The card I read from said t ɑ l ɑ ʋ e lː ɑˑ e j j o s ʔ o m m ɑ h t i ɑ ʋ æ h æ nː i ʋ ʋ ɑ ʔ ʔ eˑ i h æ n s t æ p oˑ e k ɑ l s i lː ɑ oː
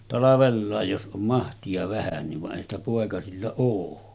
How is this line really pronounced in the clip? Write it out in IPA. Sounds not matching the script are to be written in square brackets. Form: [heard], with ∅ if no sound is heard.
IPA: t ɑ l ɑ ʋ e lː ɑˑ e j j o s ʔ o m m ɑ h t i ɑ ʋ æ h æ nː i ʋ ʋ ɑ ʔ ʔ eˑ i h æ n s t æ p oˑ e k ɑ [∅] s i lː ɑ oː